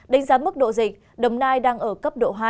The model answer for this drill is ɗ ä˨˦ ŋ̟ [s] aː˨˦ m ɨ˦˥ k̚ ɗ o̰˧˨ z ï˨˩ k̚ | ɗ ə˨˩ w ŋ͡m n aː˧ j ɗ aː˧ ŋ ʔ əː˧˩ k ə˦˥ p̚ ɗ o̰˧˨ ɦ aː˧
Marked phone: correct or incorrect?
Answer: incorrect